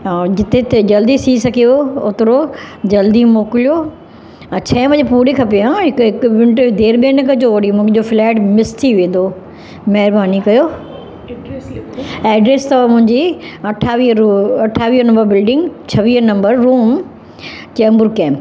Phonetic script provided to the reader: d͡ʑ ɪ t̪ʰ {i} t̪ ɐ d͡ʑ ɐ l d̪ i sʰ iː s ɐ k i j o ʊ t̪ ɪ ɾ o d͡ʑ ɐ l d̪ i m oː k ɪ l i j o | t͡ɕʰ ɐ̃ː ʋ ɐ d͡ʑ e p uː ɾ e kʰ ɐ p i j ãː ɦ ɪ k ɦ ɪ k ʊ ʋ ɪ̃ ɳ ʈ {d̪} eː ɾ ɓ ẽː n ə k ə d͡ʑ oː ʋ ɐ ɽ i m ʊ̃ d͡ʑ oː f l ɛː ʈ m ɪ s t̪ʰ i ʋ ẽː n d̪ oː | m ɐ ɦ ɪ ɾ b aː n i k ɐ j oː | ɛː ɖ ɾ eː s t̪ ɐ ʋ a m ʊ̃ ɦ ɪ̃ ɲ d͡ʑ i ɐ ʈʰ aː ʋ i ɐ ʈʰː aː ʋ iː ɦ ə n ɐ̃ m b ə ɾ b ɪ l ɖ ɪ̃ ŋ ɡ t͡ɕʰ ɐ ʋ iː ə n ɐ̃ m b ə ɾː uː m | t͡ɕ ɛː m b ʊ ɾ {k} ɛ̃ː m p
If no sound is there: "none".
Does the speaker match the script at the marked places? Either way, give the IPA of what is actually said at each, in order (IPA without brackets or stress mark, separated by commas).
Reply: e, d̪, k